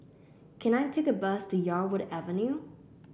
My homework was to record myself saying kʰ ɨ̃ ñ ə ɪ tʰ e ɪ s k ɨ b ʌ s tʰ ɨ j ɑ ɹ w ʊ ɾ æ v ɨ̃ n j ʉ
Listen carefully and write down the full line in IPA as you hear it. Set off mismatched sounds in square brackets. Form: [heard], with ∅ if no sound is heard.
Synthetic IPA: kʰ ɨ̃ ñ [a] ɪ tʰ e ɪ [∅] k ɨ b ʌ s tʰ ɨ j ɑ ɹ w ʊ ɾ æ v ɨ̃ n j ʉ